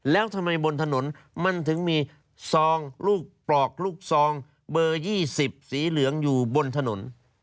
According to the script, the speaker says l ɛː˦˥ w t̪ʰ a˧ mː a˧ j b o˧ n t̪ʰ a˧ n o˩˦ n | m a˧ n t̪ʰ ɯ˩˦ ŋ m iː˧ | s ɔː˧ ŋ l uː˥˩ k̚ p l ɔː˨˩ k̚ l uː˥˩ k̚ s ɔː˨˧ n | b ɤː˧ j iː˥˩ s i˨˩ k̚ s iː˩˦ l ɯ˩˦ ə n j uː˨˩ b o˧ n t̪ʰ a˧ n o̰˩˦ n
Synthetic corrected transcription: l ɛː˦˥ w t̪ʰ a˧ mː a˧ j b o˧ n t̪ʰ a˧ n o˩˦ n | m a˧ n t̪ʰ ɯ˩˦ ŋ m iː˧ | s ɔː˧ ŋ l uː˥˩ k̚ p l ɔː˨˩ k̚ l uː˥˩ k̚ s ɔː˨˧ ŋ | b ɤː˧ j iː˥˩ s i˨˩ p̚ s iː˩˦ l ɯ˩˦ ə ŋ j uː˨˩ b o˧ n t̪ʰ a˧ n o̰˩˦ n